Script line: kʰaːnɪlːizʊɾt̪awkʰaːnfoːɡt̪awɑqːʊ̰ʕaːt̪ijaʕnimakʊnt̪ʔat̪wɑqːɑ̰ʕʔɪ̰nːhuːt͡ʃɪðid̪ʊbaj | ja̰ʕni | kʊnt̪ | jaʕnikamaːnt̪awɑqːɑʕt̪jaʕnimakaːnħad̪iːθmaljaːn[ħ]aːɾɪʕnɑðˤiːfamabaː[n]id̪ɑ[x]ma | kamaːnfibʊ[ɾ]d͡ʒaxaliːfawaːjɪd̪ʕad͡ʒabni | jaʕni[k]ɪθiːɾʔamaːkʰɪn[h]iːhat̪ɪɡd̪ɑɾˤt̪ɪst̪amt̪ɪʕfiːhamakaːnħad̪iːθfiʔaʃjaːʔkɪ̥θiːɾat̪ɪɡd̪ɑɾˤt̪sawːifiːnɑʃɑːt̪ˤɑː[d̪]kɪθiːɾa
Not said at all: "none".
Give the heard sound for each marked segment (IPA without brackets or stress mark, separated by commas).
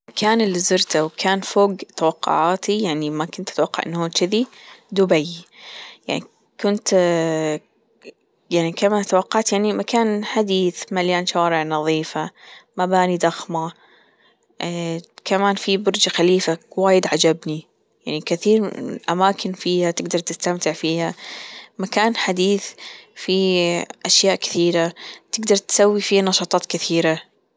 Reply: ʃ, n, x, ɾ, k, f, t̪